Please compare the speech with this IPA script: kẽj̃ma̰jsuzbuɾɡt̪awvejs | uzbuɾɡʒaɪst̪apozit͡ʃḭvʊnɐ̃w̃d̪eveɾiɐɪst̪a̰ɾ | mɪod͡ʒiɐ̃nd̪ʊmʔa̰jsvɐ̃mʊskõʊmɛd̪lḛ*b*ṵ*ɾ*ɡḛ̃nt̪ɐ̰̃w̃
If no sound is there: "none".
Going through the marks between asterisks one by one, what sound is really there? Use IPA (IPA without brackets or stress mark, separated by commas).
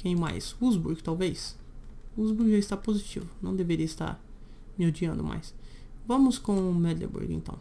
b, ɾ